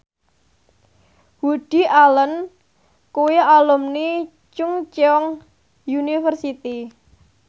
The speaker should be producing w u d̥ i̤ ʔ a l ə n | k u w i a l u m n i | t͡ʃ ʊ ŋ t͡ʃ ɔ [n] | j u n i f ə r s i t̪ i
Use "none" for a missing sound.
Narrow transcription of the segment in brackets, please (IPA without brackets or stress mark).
ŋ